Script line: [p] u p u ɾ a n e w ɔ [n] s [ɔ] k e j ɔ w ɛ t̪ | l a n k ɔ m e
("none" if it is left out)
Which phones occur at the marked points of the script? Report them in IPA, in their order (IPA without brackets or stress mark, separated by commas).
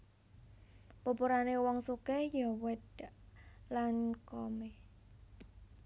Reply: p, ŋ, u